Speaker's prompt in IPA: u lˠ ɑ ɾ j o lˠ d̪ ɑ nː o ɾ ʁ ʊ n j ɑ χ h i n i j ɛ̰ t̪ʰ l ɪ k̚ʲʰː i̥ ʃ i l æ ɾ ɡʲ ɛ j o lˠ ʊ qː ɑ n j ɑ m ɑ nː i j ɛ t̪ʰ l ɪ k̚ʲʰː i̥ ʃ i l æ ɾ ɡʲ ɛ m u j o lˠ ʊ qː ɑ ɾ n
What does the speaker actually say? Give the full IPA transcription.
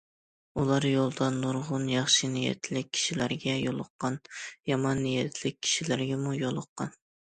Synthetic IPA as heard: u lˠ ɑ ɾ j o lˠ d̪ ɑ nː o ɾ ʁ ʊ n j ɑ χ ʃ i n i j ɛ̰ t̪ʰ l ɪ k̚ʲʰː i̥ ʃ i l æ ɾ ɡʲ ɛ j o lˠ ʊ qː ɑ n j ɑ m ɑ nː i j ɛ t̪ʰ l ɪ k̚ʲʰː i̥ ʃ i l æ ɾ ɡʲ ɛ m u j o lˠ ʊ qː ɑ n

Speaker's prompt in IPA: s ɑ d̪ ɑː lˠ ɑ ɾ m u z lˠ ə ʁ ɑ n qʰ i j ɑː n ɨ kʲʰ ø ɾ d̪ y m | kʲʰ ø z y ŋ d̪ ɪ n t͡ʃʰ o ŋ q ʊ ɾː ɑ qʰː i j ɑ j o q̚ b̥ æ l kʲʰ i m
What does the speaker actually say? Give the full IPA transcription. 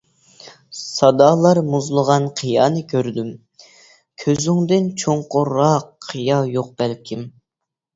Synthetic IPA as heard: s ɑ d̪ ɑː lˠ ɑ ɾ m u z lˠ ə ʁ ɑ n qʰ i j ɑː n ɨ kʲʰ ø ɾ d̪ y m | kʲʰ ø z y ŋ d̪ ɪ n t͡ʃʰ o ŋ q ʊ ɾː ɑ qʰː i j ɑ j o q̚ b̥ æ l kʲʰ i m

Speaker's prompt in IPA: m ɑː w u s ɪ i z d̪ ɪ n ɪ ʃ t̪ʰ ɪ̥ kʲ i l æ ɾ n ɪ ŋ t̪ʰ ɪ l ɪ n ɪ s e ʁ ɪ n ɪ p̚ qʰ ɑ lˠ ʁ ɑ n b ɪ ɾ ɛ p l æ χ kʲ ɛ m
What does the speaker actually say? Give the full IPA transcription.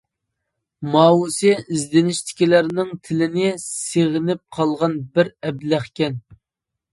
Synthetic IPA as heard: m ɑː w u s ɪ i z d̪ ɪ n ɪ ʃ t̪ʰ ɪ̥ kʲ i l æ ɾ n ɪ ŋ t̪ʰ ɪ l ɪ n ɪ s e ʁ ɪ n ɪ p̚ qʰ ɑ lˠ ʁ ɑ n b ɪ ɾ ɛ b l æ χ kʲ ɛ n

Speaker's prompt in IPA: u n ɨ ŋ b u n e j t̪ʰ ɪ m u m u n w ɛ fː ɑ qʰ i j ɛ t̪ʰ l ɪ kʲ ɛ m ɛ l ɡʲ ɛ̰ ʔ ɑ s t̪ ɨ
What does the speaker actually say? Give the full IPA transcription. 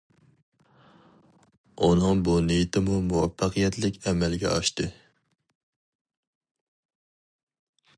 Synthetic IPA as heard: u n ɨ ŋ b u n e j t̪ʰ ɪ m u m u w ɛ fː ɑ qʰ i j ɛ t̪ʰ l ɪ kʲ ɛ m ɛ l ɡʲ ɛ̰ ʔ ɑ ʃ t̪ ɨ

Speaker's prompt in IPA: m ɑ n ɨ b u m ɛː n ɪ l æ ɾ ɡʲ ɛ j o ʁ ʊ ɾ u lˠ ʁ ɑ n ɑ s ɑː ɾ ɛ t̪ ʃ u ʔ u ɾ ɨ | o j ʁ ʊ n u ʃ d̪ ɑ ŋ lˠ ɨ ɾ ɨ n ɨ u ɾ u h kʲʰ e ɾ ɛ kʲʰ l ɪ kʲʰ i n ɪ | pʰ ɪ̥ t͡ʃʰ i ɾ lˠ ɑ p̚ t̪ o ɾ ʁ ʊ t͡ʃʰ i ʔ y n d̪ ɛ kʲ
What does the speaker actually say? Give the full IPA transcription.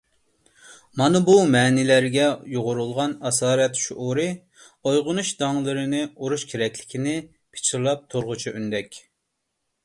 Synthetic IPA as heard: m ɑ n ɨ b u m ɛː n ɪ l æ ɾ ɡʲ ɛ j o ʁ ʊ ɾ u lˠ ʁ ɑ n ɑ s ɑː ɾ ɛ t̪ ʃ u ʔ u ɾ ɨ | o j ʁ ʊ n u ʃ d̪ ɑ ŋ lˠ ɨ ɾ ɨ n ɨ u ɾ u ʃ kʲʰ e ɾ ɛ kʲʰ l ɪ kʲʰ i n ɪ | pʰ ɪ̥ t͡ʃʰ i ɾ lˠ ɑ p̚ t̪ʰ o ɾ ʁ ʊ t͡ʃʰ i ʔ y n d̪ ɛ kʲ

